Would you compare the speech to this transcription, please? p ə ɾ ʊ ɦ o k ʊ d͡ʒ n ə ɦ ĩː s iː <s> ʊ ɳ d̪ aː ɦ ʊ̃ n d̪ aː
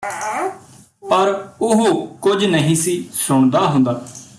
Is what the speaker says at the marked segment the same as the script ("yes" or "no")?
yes